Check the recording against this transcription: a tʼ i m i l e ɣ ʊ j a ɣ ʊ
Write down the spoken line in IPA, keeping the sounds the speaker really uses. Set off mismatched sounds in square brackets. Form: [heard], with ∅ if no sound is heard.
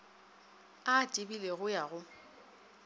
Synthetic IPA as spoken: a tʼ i [b] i l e ɣ ʊ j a ɣ ʊ

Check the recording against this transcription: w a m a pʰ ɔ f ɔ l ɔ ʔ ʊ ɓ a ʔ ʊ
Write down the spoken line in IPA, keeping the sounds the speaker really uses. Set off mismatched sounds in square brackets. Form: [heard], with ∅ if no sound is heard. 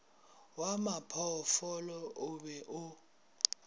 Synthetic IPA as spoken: w a m a pʰ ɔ f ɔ l ɔ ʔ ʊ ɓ [ɛ] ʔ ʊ

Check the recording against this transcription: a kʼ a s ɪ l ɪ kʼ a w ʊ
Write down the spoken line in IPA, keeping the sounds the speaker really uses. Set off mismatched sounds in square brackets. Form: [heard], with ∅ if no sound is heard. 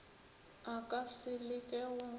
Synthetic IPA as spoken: a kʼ a s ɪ l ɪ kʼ [ɛ] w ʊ

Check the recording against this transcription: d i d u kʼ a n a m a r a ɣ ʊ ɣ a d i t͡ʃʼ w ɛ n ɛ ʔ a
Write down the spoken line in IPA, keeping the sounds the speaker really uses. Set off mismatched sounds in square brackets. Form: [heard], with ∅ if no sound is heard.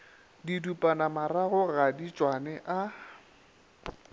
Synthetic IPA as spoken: d i d u [pʼ] a n a m a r a ɣ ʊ ɣ a d i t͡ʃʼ w [a] n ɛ ʔ a

